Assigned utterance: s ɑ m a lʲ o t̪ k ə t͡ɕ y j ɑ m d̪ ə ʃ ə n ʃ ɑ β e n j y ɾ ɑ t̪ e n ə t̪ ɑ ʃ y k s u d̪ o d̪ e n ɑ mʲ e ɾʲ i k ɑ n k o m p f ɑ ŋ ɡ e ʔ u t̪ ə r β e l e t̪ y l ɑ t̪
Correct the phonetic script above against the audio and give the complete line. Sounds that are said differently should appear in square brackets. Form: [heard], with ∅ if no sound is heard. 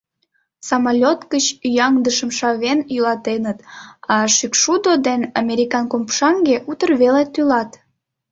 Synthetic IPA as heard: s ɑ m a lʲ o t̪ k ə t͡ɕ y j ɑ [ŋ] d̪ ə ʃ ə [m] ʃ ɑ β e n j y [l] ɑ t̪ e n ə t̪ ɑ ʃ y k [ʃ] u d̪ o d̪ e n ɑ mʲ e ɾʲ i k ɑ n k o m p [ʃ] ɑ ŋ ɡ e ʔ u t̪ ə r β e l e t̪ y l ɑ t̪

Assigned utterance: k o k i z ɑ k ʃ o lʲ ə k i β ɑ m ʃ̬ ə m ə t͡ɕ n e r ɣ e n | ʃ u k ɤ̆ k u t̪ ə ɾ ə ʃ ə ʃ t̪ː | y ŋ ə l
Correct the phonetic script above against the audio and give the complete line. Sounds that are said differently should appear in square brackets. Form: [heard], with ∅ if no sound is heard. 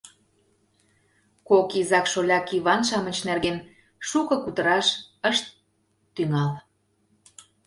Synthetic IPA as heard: k o k i z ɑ k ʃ o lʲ [ɑ] k i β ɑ [n] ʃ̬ [ɑ] m ə t͡ɕ n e r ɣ e n | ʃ u k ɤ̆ k u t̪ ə ɾ [ɑ] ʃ ə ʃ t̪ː | y ŋ [ɑ] l

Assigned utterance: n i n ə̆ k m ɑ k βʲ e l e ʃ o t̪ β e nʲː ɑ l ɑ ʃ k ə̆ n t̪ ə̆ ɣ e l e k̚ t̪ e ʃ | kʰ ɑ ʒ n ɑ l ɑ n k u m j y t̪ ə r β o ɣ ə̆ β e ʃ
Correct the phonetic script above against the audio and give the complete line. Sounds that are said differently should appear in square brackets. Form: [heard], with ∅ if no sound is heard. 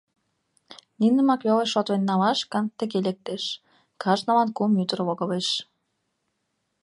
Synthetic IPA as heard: n i n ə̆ [∅] m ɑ k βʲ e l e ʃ o t̪ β e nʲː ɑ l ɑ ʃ k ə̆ n t̪ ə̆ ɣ e l e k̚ t̪ e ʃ | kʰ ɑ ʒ n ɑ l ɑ n k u m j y t̪ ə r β o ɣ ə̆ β e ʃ

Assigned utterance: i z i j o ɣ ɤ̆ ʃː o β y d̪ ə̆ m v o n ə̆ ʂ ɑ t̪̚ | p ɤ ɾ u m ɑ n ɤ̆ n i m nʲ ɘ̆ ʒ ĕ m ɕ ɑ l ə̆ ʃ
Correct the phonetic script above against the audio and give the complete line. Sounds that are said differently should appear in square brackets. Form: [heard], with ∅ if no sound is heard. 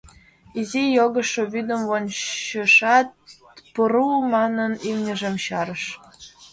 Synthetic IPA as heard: i z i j o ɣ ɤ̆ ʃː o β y d̪ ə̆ m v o n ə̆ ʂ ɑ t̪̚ | p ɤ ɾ u m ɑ n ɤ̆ n i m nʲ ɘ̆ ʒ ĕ m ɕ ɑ [ɾ] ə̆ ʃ

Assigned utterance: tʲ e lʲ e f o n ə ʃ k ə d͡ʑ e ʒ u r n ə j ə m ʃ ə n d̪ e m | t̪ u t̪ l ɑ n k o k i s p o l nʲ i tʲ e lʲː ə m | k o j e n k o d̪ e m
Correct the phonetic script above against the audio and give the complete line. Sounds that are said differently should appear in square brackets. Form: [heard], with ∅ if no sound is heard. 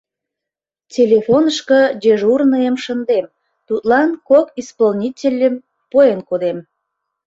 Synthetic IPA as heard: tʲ e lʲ e f o n ə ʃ k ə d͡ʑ e ʒ u r n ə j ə m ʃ ə n d̪ e m | t̪ u t̪ l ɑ n k o k i s p o l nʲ i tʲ e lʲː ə m | [p] o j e n k o d̪ e m

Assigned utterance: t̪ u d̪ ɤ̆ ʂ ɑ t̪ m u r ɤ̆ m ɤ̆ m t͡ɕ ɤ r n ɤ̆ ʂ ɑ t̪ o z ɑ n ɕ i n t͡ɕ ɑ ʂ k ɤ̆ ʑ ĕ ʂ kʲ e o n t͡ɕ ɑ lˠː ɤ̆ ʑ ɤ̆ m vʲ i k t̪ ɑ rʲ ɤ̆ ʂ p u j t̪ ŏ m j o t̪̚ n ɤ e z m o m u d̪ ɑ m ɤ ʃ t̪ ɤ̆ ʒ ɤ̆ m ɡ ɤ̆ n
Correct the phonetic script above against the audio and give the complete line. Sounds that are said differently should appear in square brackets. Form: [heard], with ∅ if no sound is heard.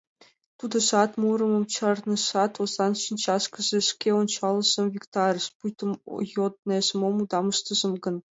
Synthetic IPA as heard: t̪ u d̪ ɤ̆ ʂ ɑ t̪ m u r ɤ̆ m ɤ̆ m t͡ɕ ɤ r n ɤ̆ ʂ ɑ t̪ o z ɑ n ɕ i n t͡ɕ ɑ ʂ k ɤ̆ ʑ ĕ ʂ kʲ e o n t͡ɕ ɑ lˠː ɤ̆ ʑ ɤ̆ m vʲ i k t̪ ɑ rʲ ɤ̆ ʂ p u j t̪ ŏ m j o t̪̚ n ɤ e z m o m u d̪ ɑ m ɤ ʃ t̪ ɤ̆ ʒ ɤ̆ m ɡ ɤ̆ n

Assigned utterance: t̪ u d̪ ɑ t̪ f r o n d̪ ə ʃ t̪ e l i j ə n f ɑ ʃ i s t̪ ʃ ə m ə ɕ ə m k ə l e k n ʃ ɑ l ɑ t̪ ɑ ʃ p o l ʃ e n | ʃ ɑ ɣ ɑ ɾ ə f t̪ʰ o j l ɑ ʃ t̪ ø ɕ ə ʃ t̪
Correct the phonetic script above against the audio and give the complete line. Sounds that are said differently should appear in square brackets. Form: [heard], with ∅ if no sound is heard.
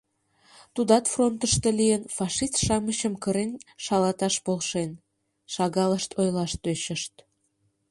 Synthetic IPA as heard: t̪ u d̪ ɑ t̪ f r o n [t̪] ə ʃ t̪ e l i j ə n f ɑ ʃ i s t̪ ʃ [ɑ] m ə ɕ ə m k ə [ɾ] e [∅] n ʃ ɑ l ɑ t̪ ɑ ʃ p o l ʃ e n | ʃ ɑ ɣ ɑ [l] ə [ʃ] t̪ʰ o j l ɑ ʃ t̪ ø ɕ ə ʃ t̪

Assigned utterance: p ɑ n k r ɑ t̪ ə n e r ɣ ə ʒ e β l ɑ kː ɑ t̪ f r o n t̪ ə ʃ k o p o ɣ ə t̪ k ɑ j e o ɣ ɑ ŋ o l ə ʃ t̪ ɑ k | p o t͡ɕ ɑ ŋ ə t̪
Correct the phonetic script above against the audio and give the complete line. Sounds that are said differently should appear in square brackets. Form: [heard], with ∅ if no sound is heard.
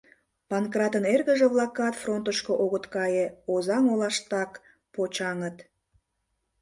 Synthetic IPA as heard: p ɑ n k r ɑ t̪ ə n e r ɣ ə ʒ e β l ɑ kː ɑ t̪ f r o n t̪ ə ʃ k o [ʔ] o ɣ ə t̪ k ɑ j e o [z] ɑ ŋ o l [ɑ] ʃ t̪ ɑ k | p o t͡ɕ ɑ ŋ ə t̪

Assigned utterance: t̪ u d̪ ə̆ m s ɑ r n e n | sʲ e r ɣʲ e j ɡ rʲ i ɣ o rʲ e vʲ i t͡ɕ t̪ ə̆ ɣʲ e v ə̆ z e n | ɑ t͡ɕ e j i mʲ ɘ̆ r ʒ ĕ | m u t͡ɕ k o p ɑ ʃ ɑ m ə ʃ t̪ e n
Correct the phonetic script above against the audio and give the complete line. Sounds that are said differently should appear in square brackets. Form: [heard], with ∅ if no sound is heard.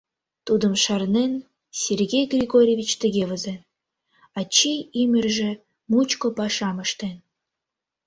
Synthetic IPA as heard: t̪ u d̪ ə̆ m [ʃ] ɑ r n e n | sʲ e r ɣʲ e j ɡ rʲ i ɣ o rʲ e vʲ i t͡ɕ t̪ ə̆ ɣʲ e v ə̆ z e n | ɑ t͡ɕ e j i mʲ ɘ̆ r ʒ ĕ | m u t͡ɕ k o p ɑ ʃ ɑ m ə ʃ t̪ e n

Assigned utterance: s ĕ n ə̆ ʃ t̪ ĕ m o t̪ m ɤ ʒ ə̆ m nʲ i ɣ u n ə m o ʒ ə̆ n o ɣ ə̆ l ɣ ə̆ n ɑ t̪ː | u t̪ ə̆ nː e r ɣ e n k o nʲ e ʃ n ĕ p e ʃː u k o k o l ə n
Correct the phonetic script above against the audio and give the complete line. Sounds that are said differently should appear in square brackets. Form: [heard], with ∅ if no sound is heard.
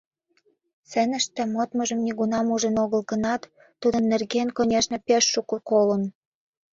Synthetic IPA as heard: s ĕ n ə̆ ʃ t̪ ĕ m o t̪ m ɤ ʒ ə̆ m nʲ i ɣ u n [ɑ] m [u] ʒ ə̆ n o ɣ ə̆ l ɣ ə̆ n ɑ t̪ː | u [d̪] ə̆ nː e r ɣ e n k o nʲ e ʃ n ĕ p e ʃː u k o k o l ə n

